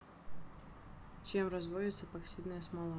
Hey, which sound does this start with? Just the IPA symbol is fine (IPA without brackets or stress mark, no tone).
t͡ɕ